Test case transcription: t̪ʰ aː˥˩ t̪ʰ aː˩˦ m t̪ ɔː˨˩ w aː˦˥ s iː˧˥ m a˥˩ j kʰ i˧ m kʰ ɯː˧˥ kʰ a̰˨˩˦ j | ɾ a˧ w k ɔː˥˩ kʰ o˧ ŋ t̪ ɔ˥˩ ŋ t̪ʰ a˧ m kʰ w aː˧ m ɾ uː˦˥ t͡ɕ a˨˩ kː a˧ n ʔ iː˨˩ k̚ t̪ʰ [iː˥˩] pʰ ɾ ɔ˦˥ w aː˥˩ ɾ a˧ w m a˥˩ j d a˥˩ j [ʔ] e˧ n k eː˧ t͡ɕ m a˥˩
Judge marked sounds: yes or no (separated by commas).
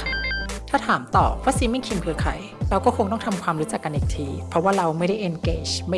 no, yes